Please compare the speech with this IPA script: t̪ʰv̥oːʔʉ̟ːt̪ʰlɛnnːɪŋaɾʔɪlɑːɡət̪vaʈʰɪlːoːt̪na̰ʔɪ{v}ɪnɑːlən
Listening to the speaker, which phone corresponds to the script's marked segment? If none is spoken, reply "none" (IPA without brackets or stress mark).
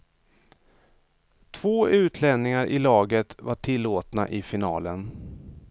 f